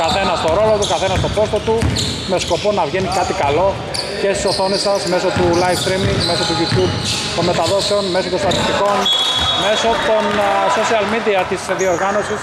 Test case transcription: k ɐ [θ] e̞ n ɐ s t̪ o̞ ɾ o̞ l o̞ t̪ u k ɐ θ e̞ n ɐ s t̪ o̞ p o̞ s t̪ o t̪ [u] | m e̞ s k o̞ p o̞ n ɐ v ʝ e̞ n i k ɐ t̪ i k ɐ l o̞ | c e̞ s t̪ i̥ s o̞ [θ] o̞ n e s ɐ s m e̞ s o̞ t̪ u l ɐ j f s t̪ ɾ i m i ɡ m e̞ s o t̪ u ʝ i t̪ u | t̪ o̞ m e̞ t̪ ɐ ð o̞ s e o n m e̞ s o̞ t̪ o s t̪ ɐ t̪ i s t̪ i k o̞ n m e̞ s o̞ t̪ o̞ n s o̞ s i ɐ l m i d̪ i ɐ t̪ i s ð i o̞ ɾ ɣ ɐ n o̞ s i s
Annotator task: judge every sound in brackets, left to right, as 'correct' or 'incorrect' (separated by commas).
correct, correct, correct